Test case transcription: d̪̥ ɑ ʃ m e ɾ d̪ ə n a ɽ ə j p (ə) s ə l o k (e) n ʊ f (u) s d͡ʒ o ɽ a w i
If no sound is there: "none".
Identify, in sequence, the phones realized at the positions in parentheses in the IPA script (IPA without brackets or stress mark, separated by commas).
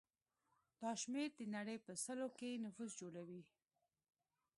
ə, e, u